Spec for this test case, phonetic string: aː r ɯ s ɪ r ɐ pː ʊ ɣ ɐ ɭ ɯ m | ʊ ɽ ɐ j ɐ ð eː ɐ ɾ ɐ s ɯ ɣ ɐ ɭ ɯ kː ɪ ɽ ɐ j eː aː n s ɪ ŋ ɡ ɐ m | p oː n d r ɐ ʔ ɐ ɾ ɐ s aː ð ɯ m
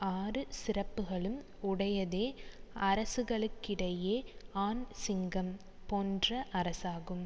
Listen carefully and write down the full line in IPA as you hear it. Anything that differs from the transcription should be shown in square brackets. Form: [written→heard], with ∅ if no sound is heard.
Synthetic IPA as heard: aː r ɯ s ɪ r ɐ pː [ʊ→ɯ] ɣ ɐ ɭ ɯ m | ʊ ɽ ɐ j ɐ ð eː ɐ ɾ ɐ s ɯ ɣ ɐ ɭ ɯ kː ɪ ɽ ɐ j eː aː n s ɪ ŋ ɡ ɐ m | p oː n d r ɐ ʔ ɐ ɾ ɐ s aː [ð→ɣ] ɯ m

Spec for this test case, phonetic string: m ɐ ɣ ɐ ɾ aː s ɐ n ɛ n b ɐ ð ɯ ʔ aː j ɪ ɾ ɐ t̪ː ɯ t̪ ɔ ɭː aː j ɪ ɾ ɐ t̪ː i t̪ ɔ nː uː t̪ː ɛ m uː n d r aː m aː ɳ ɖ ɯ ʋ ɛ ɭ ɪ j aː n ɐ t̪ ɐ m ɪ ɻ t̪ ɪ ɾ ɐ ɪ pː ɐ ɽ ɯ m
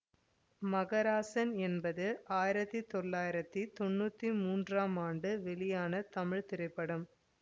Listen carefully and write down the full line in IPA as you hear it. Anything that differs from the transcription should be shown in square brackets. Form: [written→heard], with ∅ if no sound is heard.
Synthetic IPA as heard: m ɐ ɣ ɐ ɾ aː s ɐ n ɛ n b ɐ ð ɯ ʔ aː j ɪ ɾ ɐ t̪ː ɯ t̪ ɔ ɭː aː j ɪ ɾ ɐ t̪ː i t̪ ɔ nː uː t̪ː [ɛ→i] m uː n d r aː m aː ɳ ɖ ɯ ʋ ɛ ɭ ɪ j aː n ɐ t̪ ɐ m ɪ ɻ t̪ ɪ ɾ ɐ ɪ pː ɐ ɽ ɯ m

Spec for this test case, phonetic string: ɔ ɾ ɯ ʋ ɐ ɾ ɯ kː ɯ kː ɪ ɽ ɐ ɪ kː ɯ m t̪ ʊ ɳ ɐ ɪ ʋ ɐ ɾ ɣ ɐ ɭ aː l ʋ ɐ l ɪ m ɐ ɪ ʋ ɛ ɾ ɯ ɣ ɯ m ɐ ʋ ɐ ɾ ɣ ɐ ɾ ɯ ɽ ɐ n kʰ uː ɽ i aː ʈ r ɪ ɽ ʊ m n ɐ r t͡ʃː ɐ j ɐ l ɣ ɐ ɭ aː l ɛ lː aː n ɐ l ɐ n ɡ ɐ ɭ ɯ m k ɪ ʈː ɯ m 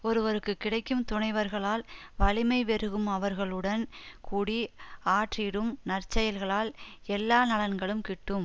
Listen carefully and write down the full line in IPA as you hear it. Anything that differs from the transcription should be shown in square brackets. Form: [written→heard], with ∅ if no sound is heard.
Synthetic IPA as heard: ɔ ɾ ɯ ʋ ɐ ɾ ɯ kː ɯ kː ɪ ɽ ɐ ɪ kː ɯ m t̪ ʊ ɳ ɐ ɪ ʋ ɐ ɾ ɣ ɐ ɭ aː l ʋ ɐ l ɪ m ɐ ɪ ʋ ɛ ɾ ɯ ɣ ɯ m ɐ ʋ ɐ ɾ ɣ ɐ [ɾ→ɭ] ɯ ɽ ɐ n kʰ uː ɽ i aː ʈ r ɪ ɽ [ʊ→ɯ] m n ɐ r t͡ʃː ɐ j ɐ l ɣ ɐ ɭ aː l ɛ lː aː n ɐ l ɐ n ɡ ɐ ɭ ɯ m k ɪ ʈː ɯ m

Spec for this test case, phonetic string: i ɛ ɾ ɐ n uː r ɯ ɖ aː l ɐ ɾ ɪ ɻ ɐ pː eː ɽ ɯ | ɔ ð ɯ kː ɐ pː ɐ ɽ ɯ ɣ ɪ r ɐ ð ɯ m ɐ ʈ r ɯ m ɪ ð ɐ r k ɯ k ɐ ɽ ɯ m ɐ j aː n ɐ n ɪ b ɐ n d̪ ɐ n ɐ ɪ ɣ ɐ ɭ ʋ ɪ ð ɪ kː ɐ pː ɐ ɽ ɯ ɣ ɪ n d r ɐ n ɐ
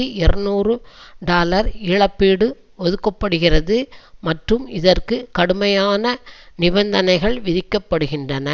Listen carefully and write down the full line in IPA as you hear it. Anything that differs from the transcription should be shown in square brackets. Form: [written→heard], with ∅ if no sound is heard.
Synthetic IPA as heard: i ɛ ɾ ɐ n uː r ɯ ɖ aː l ɐ ɾ ɪ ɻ ɐ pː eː ɽ ɯ | ɔ ð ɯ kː ɐ pː ɐ ɽ ɯ ɣ ɪ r ɐ ð ɯ m ɐ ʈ r ɯ m ɪ ð ɐ r k ɯ k ɐ ɽ ɯ m ɐ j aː n ɐ n ɪ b ɐ n d̪ ɐ n ɐ ɪ ɣ ɐ ɭ ʋ ɪ ð ɪ kː ɐ pː ɐ ɽ ɯ ɣ ɪ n d r ɐ n ɐ

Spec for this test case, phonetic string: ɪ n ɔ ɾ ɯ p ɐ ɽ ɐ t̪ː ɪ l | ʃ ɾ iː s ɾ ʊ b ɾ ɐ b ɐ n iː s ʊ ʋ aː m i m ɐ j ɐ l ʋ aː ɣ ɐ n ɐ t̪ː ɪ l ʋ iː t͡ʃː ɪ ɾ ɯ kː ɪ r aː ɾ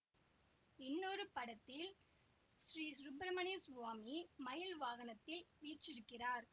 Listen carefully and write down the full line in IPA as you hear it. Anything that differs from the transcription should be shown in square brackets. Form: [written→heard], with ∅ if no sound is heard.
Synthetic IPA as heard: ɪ [n→nː] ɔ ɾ ɯ p ɐ ɽ ɐ t̪ː ɪ l | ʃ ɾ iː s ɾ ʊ b ɾ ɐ [b→m] ɐ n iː s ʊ ʋ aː m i m ɐ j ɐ l ʋ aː ɣ ɐ n ɐ t̪ː ɪ l ʋ iː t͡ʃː ɪ ɾ ɯ kː ɪ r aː ɾ

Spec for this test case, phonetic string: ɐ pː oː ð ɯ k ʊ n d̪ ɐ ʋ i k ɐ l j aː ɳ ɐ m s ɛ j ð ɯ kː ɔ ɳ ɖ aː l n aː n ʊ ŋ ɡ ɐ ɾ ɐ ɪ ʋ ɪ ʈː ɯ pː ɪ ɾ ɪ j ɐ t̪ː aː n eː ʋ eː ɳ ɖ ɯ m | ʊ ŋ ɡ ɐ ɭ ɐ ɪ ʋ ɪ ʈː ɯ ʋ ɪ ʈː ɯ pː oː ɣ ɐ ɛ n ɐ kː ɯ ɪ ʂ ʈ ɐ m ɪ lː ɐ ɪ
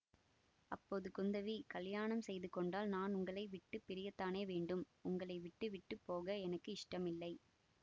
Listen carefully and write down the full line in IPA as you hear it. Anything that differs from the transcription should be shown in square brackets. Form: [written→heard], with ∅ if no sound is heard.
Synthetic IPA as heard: ɐ pː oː ð ɯ k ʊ n d̪ ɐ ʋ i k ɐ l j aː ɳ ɐ m s ɛ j ð ɯ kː ɔ ɳ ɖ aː l n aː n ʊ ŋ ɡ ɐ [ɾ→ɭ] ɐ ɪ ʋ ɪ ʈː ɯ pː ɪ ɾ ɪ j ɐ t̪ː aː n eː ʋ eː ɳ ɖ ɯ m | ʊ ŋ ɡ ɐ ɭ ɐ ɪ ʋ ɪ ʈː ɯ ʋ ɪ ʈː ɯ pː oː ɣ ɐ ɛ n ɐ kː ɯ ɪ ʂ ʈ ɐ m ɪ lː ɐ ɪ

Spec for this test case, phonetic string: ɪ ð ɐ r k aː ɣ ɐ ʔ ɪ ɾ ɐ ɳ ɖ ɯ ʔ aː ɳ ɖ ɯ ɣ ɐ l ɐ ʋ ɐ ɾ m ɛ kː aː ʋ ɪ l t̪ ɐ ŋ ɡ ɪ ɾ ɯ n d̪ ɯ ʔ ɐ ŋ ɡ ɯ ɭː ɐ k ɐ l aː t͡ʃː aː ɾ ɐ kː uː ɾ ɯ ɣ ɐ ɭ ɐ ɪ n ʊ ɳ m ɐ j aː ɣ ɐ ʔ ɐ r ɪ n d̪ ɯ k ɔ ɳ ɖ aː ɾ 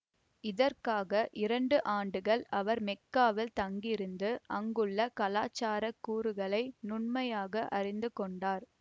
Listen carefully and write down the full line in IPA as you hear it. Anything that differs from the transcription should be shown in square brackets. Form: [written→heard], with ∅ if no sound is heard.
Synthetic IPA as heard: ɪ ð ɐ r k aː ɣ ɐ ʔ ɪ ɾ ɐ ɳ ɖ ɯ ʔ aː ɳ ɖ ɯ ɣ ɐ [l→ɭ] ɐ ʋ ɐ ɾ m ɛ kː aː ʋ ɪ l t̪ ɐ ŋ ɡ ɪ ɾ ɯ n d̪ ɯ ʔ ɐ ŋ ɡ ɯ ɭː ɐ k ɐ l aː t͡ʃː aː ɾ ɐ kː uː ɾ ɯ ɣ ɐ ɭ ɐ ɪ n ʊ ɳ m ɐ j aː ɣ ɐ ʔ ɐ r ɪ n d̪ ɯ k ɔ ɳ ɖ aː ɾ

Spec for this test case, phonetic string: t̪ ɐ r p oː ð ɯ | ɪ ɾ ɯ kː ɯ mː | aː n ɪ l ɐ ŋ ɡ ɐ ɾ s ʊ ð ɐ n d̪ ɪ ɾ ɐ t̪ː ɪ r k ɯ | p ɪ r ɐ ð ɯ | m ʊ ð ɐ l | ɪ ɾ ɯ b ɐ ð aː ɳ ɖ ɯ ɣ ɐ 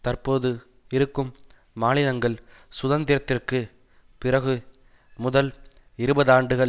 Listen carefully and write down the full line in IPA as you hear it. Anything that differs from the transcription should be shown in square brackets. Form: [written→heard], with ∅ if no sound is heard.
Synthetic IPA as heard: t̪ ɐ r p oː ð ɯ | ɪ ɾ ɯ kː ɯ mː | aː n ɪ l ɐ ŋ ɡ ɐ [ɾ→ɭ] s ʊ ð ɐ n d̪ ɪ ɾ ɐ t̪ː ɪ r k ɯ | p ɪ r ɐ [ð→ɣ] ɯ | m ʊ ð ɐ l | ɪ ɾ ɯ b ɐ ð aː ɳ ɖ ɯ ɣ ɐ

